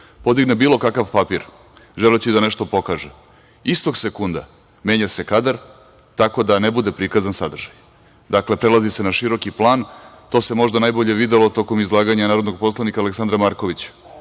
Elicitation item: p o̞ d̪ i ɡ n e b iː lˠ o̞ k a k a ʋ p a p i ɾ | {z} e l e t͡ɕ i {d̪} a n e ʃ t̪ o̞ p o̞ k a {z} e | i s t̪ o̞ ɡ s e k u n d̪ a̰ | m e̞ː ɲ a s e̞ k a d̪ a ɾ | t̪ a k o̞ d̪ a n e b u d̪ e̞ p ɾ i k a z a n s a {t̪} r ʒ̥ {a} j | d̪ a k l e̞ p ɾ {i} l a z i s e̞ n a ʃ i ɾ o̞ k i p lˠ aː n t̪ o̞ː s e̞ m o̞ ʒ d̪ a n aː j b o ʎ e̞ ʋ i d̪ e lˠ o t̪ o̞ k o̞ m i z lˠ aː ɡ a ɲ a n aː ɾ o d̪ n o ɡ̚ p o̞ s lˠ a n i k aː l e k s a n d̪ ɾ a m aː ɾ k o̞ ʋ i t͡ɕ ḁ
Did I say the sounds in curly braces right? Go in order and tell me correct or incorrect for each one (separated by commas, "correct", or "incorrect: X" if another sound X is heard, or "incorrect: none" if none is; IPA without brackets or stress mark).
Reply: incorrect: ʒ, correct, incorrect: ʒ, incorrect: d̪, correct, incorrect: e